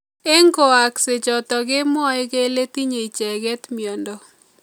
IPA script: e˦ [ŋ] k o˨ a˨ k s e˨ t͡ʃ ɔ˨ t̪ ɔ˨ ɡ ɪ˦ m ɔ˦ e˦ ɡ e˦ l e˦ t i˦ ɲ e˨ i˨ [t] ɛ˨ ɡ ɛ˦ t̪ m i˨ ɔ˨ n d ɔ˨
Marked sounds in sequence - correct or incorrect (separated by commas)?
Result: correct, incorrect